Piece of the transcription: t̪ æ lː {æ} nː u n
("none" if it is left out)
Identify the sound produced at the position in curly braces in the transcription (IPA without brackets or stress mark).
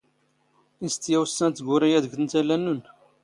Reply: æ